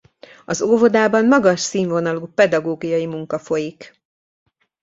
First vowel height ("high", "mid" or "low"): low